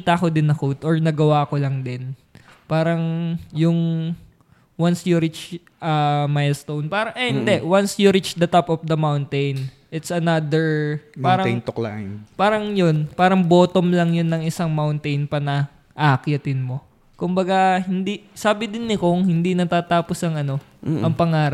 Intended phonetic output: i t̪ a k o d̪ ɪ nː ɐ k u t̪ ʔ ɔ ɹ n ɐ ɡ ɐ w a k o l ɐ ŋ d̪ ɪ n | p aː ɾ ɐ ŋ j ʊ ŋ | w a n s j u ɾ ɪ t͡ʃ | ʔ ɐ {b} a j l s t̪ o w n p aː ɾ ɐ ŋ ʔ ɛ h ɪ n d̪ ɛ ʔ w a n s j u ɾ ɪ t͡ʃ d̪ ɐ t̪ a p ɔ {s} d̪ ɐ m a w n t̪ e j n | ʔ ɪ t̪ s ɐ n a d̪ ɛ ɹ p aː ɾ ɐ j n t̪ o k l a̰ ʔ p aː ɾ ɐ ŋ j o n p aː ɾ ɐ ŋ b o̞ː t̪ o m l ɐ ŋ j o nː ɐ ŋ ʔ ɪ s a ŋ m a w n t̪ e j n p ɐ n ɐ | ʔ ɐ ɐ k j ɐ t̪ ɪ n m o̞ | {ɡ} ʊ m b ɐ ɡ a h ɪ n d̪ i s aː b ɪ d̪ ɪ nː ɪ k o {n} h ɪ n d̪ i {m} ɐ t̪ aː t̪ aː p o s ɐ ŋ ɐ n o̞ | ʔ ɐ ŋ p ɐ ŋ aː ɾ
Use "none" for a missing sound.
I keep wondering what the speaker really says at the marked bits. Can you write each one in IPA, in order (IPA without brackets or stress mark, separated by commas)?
m, f, k, ŋ, n